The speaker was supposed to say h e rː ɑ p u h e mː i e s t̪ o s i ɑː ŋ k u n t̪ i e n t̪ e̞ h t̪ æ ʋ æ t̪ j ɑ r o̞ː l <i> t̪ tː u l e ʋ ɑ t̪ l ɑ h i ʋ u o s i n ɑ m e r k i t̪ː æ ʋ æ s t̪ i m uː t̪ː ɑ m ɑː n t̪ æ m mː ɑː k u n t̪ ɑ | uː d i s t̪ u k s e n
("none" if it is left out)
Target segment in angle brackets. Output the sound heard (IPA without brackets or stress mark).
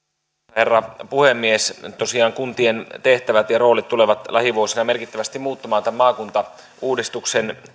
i